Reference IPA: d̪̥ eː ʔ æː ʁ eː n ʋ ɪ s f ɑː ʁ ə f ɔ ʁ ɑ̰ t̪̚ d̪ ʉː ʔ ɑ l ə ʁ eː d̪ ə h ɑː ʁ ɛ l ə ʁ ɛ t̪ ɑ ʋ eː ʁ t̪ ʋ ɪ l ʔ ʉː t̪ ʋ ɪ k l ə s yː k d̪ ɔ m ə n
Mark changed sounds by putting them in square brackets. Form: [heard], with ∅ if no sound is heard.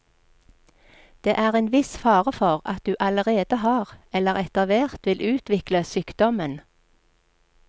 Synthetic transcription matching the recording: d̪̥ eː ʔ æː ʁ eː n ʋ ɪ s f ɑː ʁ ə f ɔ ʁ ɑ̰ t̪̚ d̪ ʉː ʔ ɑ l ə ʁ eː d̪ ə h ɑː ʁ ɛ l ə ʁ ɛ t̪ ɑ ʋ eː ʁ t̪ ʋ ɪ l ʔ ʉː t̪ ʋ ɪ k l ə s yː k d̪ ɔ m ə n